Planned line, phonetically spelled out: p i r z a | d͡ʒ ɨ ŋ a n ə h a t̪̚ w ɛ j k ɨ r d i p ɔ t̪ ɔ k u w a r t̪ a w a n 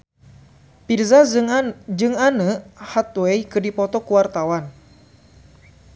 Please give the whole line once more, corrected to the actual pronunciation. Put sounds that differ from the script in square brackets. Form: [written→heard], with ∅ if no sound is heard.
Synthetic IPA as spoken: p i r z a | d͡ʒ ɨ ŋ a n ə h a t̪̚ w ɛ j k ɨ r d i p ɔ t̪ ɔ k u w a r t̪ a w a n